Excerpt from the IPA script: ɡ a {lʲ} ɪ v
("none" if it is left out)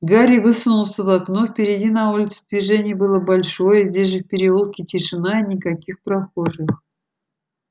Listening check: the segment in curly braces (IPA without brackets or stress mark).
ɾʲ